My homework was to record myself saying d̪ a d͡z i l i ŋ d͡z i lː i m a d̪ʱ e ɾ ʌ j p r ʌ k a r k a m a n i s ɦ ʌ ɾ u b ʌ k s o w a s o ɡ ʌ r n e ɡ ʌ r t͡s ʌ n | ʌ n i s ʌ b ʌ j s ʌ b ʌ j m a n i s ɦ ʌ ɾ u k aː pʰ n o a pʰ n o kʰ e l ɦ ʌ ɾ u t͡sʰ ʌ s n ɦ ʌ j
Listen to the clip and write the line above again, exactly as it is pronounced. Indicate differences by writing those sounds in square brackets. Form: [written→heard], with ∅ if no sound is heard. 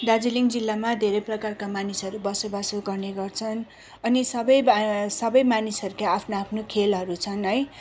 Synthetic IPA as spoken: d̪ a d͡z i l i ŋ d͡z i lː [i→a] m a d̪ʱ e ɾ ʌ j p r ʌ k a r k a m a n i s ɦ ʌ ɾ u b ʌ [k→∅] s o [w→b] a s o ɡ ʌ r n e ɡ ʌ r [t͡s→t͡sʰ] ʌ n | ʌ n i s ʌ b ʌ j s ʌ b ʌ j m a n i s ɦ ʌ ɾ u k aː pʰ n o a pʰ n o kʰ e l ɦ ʌ ɾ u t͡sʰ ʌ [s→∅] n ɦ ʌ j